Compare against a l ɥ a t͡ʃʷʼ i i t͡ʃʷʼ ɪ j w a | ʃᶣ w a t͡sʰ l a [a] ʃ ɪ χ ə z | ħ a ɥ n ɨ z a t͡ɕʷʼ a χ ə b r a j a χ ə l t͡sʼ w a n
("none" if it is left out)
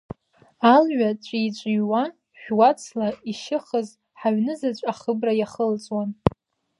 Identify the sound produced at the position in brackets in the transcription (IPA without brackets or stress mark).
i